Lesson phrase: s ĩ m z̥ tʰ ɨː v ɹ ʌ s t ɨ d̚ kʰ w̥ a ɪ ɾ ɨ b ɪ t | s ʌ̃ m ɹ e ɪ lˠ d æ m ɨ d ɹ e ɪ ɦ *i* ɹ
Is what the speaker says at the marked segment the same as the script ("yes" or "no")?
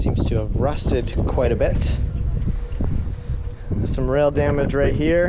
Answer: yes